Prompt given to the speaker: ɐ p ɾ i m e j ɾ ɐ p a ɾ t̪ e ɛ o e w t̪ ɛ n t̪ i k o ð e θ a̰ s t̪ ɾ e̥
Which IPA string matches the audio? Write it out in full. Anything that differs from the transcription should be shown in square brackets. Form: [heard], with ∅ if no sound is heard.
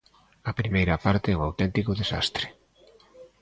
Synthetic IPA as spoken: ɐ p ɾ i m e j ɾ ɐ p a ɾ t̪ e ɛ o [a] w t̪ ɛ n t̪ i k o ð e [s] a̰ s t̪ ɾ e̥